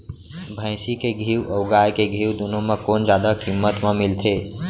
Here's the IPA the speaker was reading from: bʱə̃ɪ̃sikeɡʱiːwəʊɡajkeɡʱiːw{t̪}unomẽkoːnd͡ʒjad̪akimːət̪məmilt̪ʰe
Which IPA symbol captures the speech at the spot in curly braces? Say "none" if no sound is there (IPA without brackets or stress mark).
d̪